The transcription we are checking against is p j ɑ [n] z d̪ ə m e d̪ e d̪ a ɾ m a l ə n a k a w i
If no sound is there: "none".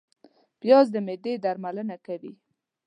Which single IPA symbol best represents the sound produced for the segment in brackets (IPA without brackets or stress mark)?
none